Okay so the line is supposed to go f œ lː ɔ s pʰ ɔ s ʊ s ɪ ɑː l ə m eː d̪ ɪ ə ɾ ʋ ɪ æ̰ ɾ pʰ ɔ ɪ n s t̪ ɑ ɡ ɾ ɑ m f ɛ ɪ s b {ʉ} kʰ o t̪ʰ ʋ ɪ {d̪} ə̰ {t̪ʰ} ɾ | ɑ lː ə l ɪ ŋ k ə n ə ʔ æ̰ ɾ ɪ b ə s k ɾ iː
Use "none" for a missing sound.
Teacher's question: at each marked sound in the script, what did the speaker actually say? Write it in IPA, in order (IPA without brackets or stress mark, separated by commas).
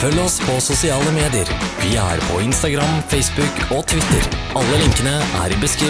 ʉ, t̪, none